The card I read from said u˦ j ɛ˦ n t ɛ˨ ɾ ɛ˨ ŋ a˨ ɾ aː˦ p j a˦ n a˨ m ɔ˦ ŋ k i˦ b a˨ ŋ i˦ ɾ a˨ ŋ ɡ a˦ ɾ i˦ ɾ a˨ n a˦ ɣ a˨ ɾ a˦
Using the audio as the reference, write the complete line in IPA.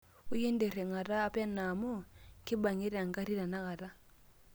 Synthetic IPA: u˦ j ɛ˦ n d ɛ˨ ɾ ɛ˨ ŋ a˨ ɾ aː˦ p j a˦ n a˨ m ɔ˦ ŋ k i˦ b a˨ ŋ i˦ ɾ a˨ ŋ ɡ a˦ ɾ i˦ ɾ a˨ n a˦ ɣ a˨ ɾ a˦